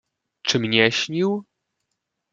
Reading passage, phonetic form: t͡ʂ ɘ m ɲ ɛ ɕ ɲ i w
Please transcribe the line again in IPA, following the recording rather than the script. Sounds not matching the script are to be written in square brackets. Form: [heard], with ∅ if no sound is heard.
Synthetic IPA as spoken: t͡ʂ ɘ m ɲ ɛ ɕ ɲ i w

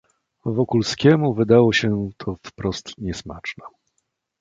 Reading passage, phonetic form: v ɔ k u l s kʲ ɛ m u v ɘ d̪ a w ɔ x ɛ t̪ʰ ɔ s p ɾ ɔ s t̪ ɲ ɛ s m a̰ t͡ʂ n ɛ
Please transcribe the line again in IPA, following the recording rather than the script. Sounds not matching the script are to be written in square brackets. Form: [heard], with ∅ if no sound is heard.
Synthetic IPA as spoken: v ɔ k u l s kʲ ɛ m u v ɘ d̪ a w ɔ [ɕ] ɛ t̪ʰ ɔ [f] p ɾ ɔ s t̪ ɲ ɛ s m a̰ t͡ʂ n ɛ

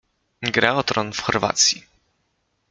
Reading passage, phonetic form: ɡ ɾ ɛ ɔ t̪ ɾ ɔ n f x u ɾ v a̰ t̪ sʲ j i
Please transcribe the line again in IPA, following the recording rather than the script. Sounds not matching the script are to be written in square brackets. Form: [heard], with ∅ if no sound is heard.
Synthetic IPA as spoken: ɡ ɾ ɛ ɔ t̪ ɾ ɔ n f x [ɔ] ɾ v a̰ t̪ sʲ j i

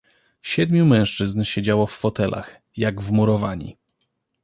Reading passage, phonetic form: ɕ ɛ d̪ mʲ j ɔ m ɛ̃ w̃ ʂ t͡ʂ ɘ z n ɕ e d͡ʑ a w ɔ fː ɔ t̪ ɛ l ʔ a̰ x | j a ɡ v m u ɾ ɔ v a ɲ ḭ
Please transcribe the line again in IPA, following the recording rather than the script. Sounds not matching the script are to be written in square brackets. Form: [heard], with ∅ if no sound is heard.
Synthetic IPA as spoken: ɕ ɛ d̪ mʲ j [u] m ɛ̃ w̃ ʂ t͡ʂ ɘ z n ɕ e d͡ʑ a w ɔ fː ɔ t̪ ɛ l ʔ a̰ x | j a ɡ v m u ɾ ɔ v a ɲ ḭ

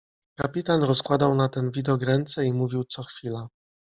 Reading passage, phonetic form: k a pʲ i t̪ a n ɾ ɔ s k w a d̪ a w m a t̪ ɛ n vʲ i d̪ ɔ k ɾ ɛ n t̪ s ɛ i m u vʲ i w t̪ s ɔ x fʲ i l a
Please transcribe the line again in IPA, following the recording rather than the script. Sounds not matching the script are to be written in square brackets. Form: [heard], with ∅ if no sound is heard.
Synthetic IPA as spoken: k a pʲ i t̪ a n ɾ ɔ s k w a d̪ a w [n] a t̪ ɛ n vʲ i d̪ ɔ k ɾ ɛ n t̪ s ɛ i m u vʲ i w t̪ s ɔ x fʲ i l a

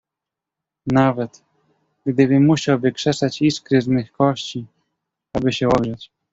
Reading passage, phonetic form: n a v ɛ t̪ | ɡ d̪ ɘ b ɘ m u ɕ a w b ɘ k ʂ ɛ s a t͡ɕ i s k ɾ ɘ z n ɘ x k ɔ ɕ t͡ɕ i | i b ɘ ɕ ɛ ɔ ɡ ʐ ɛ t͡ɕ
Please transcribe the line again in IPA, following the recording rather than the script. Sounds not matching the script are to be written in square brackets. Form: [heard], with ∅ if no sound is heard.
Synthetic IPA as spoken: n a v ɛ t̪ | ɡ d̪ ɘ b ɘ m u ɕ a w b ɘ k ʂ ɛ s a t͡ɕ i s k ɾ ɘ z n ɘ x k ɔ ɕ t͡ɕ i | [a] b ɘ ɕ ɛ ɔ ɡ ʐ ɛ t͡ɕ

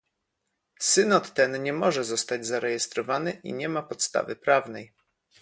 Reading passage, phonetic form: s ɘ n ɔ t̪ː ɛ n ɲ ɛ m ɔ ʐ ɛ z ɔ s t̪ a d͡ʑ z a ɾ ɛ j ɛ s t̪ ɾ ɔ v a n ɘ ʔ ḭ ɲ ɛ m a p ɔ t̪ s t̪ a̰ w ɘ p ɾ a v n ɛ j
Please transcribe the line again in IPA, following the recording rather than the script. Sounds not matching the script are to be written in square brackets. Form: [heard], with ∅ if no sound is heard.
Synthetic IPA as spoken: s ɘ n ɔ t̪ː ɛ n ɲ ɛ m ɔ ʐ ɛ z ɔ s t̪ a d͡ʑ z a ɾ ɛ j ɛ s t̪ ɾ ɔ v a n ɘ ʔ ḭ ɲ ɛ m a p ɔ t̪ s t̪ a̰ [v] ɘ p ɾ a v n ɛ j

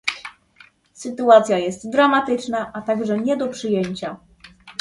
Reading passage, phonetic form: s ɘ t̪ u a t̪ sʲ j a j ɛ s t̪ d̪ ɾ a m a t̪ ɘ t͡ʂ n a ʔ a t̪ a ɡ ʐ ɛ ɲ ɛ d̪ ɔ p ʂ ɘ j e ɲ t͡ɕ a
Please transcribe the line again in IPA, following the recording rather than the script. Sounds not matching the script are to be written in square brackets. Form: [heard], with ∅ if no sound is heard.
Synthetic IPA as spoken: s ɘ t̪ u a t̪ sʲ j a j ɛ s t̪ d̪ ɾ a m a t̪ ɘ t͡ʂ n a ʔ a t̪ a ɡ ʐ ɛ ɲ ɛ d̪ ɔ p ʂ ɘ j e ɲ t͡ɕ a

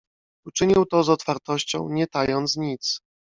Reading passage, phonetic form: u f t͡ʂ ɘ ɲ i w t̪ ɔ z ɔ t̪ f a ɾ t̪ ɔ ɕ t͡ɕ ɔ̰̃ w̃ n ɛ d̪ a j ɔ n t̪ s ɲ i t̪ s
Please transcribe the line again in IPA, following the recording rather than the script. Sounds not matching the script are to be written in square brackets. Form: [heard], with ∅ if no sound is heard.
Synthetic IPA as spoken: u [∅] t͡ʂ ɘ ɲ i w t̪ ɔ z ɔ t̪ f a ɾ t̪ ɔ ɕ t͡ɕ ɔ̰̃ w̃ [ɲ] ɛ [t̪] a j ɔ n t̪ s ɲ i t̪ s

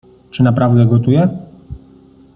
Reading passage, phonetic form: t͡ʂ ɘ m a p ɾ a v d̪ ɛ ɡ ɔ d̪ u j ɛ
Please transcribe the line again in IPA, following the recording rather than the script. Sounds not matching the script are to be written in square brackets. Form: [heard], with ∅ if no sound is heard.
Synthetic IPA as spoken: t͡ʂ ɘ [n] a p ɾ a v d̪ ɛ ɡ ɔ [t̪] u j ɛ

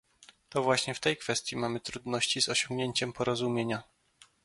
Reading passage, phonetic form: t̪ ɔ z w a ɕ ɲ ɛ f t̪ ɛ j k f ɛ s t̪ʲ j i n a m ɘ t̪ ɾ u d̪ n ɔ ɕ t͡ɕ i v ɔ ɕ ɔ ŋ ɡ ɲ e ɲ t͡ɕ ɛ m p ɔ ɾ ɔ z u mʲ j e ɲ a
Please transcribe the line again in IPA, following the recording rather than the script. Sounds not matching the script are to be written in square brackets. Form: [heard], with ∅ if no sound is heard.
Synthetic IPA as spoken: t̪ ɔ [v] w a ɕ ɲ ɛ f t̪ ɛ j k f ɛ s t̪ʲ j i [m] a m ɘ t̪ ɾ u d̪ n ɔ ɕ t͡ɕ i [z] ɔ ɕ ɔ ŋ ɡ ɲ e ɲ t͡ɕ ɛ m p ɔ ɾ ɔ z u mʲ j e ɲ a

